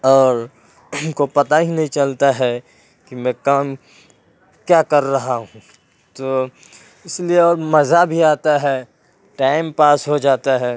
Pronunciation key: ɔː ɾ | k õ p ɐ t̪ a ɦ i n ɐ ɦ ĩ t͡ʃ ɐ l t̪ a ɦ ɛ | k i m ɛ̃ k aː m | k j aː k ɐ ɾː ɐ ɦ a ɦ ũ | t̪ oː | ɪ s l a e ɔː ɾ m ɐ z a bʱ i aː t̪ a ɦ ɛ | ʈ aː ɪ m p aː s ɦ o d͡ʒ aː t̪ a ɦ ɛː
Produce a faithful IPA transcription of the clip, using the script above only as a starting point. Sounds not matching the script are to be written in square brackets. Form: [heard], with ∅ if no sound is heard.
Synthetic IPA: ɔː ɾ | k [o] p ɐ t̪ a ɦ i n ɐ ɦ ĩ t͡ʃ ɐ l t̪ a ɦ ɛ | k i m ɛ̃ k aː m | k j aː k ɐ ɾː ɐ ɦ a ɦ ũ | t̪ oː | ɪ s l [i] e ɔː ɾ m ɐ z a bʱ i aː t̪ a ɦ ɛ | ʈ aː ɪ m p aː s ɦ o d͡ʒ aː t̪ a ɦ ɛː